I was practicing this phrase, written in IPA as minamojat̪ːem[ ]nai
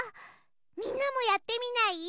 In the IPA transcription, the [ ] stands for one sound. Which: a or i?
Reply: i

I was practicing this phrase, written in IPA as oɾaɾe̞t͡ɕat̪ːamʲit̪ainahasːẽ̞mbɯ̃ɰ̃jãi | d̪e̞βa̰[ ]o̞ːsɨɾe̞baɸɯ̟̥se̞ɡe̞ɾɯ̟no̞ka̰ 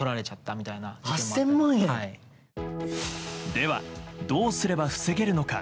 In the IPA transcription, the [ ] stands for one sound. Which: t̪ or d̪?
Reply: d̪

